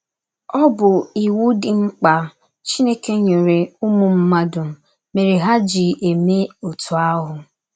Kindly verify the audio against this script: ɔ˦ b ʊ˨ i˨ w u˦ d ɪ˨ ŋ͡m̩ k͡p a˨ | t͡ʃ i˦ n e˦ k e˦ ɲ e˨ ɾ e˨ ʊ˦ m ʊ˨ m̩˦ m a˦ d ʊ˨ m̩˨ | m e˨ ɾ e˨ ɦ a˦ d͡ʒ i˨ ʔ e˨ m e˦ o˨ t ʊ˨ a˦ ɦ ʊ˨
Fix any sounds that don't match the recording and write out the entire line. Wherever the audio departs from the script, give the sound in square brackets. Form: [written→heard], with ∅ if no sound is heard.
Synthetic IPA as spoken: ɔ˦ b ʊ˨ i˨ w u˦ d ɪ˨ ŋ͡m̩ k͡p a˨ | t͡ʃ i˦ n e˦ k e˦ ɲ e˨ ɾ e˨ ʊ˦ m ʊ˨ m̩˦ m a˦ d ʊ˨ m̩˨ | m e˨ ɾ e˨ ɦ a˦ d͡ʒ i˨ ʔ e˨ m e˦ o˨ t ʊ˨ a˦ ɦ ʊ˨